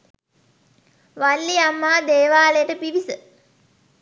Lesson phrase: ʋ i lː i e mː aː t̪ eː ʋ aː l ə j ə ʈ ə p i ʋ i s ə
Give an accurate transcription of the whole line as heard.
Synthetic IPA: ʋ a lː i a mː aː d̪ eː ʋ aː l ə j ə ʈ ə p i ʋ i s ə